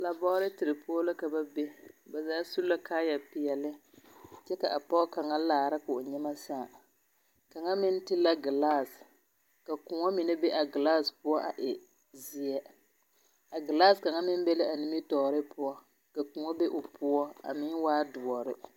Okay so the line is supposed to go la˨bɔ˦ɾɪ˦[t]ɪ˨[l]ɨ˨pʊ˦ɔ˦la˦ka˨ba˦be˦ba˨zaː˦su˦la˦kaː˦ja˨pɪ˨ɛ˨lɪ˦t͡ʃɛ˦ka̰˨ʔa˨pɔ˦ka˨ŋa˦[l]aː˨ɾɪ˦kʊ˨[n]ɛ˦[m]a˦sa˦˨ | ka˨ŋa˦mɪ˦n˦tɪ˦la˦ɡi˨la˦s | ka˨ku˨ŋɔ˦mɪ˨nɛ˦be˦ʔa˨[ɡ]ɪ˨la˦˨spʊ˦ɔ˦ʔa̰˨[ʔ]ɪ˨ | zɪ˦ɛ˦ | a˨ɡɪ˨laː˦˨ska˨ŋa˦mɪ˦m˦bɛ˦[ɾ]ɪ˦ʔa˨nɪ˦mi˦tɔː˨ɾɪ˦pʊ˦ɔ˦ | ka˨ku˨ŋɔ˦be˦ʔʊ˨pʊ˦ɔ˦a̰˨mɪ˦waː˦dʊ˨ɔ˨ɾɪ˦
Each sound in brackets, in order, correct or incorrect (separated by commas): correct, incorrect, correct, incorrect, correct, correct, correct, incorrect